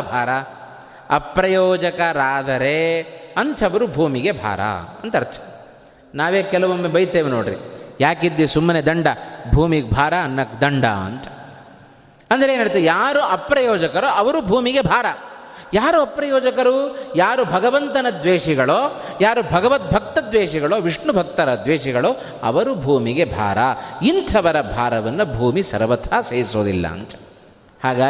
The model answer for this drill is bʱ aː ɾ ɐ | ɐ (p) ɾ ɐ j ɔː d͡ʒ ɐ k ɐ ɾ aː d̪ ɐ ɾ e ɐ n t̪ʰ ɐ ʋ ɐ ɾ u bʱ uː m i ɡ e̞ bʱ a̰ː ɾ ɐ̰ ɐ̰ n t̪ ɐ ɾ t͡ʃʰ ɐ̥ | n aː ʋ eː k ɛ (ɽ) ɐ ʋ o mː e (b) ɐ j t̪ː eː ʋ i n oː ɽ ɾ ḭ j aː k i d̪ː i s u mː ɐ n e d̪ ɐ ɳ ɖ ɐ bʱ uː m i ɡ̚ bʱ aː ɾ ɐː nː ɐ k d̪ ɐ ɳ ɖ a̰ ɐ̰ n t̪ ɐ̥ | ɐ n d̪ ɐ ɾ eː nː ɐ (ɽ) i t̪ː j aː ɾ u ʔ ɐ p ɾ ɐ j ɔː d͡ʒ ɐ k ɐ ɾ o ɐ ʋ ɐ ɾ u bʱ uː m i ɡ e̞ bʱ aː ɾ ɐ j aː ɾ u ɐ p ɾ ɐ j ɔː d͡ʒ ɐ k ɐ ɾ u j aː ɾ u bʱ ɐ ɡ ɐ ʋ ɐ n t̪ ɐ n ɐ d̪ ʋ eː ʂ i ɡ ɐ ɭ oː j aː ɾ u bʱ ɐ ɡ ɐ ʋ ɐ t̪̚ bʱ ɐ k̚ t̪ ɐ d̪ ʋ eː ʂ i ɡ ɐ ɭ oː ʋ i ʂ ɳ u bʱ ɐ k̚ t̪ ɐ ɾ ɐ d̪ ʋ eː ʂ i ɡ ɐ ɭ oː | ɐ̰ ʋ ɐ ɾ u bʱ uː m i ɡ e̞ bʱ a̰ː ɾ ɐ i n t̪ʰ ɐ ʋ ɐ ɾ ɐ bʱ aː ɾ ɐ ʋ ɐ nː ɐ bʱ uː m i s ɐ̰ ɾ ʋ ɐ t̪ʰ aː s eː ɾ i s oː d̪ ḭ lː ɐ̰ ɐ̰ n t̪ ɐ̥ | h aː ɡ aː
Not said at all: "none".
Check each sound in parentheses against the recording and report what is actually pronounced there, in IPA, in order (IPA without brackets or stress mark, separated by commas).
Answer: p, l, b, ɽ